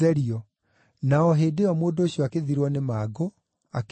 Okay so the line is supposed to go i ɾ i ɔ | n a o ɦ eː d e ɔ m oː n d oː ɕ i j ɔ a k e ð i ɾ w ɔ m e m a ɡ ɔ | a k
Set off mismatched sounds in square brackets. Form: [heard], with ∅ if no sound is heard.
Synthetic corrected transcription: [ɛ] ɾ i ɔ | n a [ɔ] ɦ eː d e ɔ m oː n d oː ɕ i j ɔ a k e ð i ɾ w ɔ [n] e m a ɡ [o] | a k